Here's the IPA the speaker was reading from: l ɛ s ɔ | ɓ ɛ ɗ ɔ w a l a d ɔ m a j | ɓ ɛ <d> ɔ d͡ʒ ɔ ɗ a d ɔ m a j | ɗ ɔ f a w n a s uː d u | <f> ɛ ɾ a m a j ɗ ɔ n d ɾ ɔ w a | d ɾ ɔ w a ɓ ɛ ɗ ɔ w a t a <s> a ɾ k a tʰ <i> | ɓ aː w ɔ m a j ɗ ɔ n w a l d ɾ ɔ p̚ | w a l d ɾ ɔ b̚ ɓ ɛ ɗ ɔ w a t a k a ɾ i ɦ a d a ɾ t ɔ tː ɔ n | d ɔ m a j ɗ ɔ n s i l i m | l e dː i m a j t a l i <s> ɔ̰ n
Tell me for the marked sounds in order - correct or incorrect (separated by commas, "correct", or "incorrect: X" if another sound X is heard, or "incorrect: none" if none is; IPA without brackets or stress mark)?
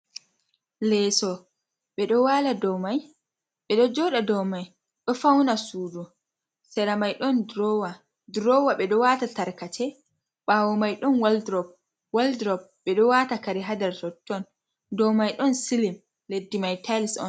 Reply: incorrect: ɗ, incorrect: s, incorrect: t, incorrect: ɛ, correct